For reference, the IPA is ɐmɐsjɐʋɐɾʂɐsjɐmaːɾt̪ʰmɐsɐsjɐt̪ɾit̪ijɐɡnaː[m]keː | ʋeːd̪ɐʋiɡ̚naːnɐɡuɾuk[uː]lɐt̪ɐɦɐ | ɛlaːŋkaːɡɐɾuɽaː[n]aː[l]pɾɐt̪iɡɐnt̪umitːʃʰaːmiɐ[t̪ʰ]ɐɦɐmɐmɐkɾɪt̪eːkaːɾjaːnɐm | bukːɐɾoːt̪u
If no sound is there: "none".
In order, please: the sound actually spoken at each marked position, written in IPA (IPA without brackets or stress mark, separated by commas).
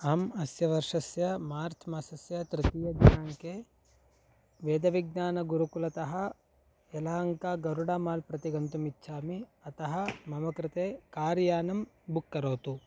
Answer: ŋ, u, m, l, t̪